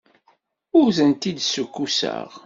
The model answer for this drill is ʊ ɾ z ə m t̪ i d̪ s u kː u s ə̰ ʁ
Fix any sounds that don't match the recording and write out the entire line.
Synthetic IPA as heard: ʊ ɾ z ə n t̪ i d̪ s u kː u s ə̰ ʁ